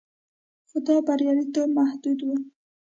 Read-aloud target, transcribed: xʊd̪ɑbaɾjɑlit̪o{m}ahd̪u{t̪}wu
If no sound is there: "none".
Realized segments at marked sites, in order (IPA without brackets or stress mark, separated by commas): m, d̪